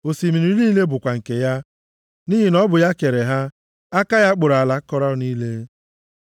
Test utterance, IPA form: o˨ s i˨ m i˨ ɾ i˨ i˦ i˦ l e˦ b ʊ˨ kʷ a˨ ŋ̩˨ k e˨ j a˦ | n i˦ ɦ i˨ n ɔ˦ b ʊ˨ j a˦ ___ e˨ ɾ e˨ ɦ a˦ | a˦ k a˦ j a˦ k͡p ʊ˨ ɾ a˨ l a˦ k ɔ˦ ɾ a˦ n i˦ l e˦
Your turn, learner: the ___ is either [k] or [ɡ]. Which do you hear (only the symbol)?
k